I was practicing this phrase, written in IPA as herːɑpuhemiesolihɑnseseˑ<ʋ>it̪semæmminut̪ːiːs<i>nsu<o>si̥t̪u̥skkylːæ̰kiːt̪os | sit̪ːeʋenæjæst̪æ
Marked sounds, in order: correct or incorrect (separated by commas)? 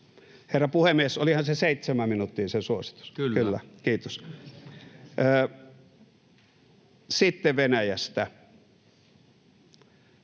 incorrect, incorrect, correct